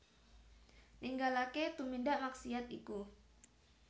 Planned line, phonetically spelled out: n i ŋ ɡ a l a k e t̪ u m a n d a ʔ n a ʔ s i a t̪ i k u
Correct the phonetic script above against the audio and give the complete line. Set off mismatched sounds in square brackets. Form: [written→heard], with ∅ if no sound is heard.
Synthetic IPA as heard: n i ŋ ɡ a l a k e t̪ u m [a→i] n d a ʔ [n→m] a [ʔ→k] s i a t̪ i k u

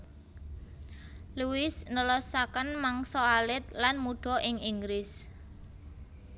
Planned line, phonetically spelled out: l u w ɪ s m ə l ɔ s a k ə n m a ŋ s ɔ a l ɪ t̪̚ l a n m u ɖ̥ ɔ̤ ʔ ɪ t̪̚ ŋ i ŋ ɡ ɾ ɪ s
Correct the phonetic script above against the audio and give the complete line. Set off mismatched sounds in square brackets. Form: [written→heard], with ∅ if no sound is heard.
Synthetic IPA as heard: l u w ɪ s [m→n] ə l ɔ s a k ə n m a ŋ s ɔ a l ɪ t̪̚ l a n m u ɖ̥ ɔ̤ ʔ ɪ [t̪̚→∅] ŋ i ŋ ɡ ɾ ɪ s

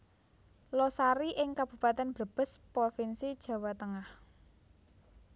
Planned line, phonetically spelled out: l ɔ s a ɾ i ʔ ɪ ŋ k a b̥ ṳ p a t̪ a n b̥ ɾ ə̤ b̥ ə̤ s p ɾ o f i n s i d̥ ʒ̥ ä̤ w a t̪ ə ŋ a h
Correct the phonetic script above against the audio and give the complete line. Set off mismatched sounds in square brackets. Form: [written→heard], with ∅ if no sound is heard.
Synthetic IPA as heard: l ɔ s a ɾ i ʔ ɪ ŋ k a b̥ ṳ p a t̪ [a→ɛ] n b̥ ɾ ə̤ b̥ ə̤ s p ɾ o f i n s i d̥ ʒ̥ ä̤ w a t̪ ə ŋ a h

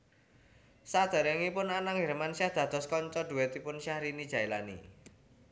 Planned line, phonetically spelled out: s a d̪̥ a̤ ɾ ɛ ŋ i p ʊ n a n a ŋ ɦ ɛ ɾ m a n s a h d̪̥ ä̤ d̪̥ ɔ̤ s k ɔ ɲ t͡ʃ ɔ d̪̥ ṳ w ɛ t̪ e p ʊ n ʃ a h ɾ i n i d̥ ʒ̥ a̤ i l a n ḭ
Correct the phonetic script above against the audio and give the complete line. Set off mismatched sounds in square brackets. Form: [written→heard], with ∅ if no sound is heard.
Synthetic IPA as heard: s a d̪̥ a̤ ɾ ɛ ŋ i p ʊ n a n a ŋ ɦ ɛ ɾ m a n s a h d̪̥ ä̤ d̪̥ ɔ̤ s k ɔ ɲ t͡ʃ ɔ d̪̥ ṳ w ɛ t̪ [e→i] p ʊ n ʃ a h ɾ i n i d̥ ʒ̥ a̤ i l a n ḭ

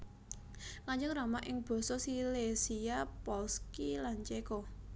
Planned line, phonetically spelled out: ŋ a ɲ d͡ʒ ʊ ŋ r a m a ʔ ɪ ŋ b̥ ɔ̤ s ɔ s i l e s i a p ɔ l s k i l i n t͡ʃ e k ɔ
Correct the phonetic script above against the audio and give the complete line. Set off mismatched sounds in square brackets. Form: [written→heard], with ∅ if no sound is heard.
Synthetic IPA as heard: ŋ a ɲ d͡ʒ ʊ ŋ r a m a ʔ ɪ ŋ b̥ ɔ̤ s ɔ s i l e s i a p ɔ l s k i l [i→a] n t͡ʃ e k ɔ

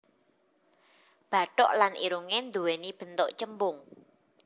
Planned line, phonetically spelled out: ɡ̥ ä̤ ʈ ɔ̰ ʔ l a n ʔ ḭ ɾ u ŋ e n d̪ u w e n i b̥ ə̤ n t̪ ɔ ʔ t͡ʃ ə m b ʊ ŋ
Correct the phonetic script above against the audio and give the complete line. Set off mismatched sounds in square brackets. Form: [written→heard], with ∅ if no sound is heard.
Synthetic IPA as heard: [ɡ̥→b̥] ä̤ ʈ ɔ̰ ʔ l a n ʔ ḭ ɾ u ŋ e n d̪ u w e n i b̥ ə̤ n t̪ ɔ ʔ t͡ʃ ə m b ʊ ŋ

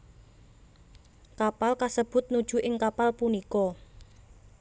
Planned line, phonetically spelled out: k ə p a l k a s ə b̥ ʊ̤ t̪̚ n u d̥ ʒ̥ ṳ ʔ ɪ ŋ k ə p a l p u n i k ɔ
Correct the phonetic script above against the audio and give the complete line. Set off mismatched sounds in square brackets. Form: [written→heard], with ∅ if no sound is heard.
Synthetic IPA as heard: k [ə→a] p a l k a s ə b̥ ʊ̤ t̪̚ n u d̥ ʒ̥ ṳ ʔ ɪ ŋ k [ə→a] p a l p u n i k ɔ

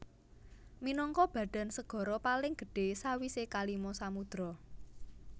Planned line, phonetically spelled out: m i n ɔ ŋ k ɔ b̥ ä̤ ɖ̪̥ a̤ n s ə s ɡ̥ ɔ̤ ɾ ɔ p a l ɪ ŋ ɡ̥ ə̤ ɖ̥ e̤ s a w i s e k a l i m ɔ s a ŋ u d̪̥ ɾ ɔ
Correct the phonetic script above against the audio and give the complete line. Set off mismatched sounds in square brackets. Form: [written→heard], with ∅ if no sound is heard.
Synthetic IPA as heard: m i n ɔ ŋ k ɔ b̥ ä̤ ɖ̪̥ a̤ n s ə [s→∅] ɡ̥ ɔ̤ ɾ ɔ p a l ɪ ŋ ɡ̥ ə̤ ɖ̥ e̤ s a w i s e k a l i m ɔ s a [ŋ→m] u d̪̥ ɾ ɔ

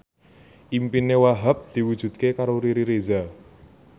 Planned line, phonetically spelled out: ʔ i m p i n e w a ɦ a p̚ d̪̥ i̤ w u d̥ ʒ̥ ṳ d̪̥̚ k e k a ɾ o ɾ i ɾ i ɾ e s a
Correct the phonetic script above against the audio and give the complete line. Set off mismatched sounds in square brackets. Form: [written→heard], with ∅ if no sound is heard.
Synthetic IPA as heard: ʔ i m p i n e w a ɦ a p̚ d̪̥ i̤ w u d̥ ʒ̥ ṳ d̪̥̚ k e k a ɾ o ɾ i ɾ i ɾ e [s→z] a

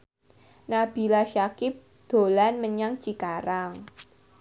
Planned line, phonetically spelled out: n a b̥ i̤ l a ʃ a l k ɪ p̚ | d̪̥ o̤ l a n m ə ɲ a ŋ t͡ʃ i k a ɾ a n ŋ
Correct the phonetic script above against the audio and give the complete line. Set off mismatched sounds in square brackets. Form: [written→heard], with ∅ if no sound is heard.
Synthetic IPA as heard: n a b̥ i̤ l a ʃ a [l→∅] k ɪ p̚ | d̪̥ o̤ l a n m ə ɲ a ŋ t͡ʃ i k a ɾ a [n→∅] ŋ

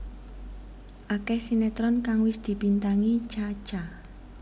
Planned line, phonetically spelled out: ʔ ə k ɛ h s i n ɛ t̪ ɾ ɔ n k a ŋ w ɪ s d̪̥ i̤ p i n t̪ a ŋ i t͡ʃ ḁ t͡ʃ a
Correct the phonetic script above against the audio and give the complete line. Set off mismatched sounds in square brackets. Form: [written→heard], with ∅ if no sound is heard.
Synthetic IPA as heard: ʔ [ə→a] k ɛ h s i n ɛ t̪ ɾ ɔ n k a ŋ w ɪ s d̪̥ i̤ p i n t̪ a ŋ i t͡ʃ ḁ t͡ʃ a

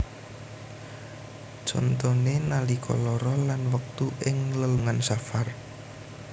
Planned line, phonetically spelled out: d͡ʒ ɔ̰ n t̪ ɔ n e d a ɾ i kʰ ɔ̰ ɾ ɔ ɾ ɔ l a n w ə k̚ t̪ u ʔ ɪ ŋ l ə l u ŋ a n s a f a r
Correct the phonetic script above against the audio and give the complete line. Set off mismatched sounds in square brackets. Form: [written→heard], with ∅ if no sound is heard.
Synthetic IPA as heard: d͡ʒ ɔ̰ n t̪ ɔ n e [d→n] a [ɾ→l] i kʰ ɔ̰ [ɾ→l] ɔ ɾ ɔ l a n w ə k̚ t̪ u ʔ ɪ ŋ l ə l u ŋ a n s a f a r

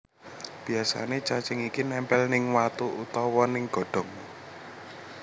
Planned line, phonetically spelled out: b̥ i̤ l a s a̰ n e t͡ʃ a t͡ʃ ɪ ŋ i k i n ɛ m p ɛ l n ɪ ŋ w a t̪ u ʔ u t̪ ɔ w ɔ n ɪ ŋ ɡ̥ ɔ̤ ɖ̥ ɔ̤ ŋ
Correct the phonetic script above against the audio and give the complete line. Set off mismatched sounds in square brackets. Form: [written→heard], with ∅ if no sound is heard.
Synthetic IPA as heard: b̥ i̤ [l→∅] a s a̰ n e t͡ʃ a t͡ʃ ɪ ŋ i k i n ɛ m p ɛ l n ɪ ŋ w a t̪ u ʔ u t̪ ɔ w ɔ n ɪ ŋ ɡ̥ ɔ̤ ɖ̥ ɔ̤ ŋ

